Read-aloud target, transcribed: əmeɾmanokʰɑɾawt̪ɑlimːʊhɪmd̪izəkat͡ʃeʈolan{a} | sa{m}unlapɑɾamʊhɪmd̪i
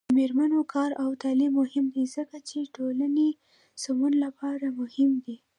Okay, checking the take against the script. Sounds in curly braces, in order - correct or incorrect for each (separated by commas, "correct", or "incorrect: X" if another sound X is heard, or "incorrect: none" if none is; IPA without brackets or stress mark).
incorrect: e, correct